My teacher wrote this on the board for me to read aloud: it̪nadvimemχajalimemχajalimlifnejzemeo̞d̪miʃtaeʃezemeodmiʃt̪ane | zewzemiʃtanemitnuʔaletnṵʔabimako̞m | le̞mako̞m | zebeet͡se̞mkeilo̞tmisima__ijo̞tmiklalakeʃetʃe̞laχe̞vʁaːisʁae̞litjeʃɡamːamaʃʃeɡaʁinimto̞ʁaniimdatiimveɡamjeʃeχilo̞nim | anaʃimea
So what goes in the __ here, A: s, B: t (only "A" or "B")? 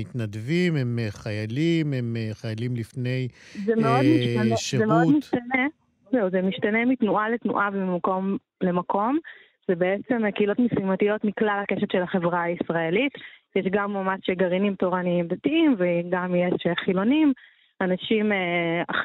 B